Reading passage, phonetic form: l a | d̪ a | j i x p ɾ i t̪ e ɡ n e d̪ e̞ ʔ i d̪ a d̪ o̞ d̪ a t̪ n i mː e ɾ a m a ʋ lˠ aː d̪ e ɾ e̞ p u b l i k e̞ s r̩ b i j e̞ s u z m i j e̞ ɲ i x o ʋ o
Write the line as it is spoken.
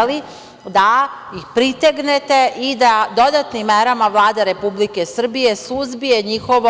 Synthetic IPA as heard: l i | d̪ a | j i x p ɾ i t̪ e ɡ n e t̪ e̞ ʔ i d̪ a d̪ o̞ d̪ a t̪ n i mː e ɾ a m a ʋ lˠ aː d̪ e ɾ e̞ p u b l i k e̞ s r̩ b i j e̞ s u z b i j e̞ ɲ i x o ʋ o